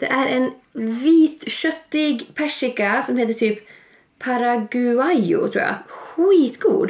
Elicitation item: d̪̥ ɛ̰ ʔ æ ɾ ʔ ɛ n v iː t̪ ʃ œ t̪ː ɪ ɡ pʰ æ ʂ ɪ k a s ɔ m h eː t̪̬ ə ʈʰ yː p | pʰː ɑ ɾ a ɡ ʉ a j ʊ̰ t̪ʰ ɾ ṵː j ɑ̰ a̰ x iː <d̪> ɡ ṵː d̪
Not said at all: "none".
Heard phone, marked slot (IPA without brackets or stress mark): t̪